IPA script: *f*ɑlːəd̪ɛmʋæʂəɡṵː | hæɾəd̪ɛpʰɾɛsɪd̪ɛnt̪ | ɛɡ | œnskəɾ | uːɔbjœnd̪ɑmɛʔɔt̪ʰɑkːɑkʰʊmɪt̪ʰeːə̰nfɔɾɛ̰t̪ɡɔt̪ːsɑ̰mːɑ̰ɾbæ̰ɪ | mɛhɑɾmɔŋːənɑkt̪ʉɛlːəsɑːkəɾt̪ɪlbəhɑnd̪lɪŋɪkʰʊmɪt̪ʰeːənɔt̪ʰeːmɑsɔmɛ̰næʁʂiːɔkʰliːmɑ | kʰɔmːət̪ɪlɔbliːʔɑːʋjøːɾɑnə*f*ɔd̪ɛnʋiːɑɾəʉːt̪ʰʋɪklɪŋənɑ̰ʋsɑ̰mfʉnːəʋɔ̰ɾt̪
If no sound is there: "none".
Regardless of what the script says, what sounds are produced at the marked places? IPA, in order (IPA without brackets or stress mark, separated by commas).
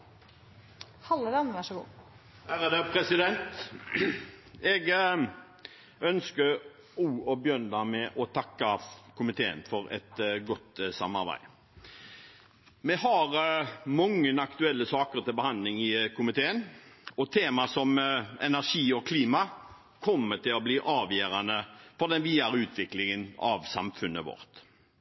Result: h, f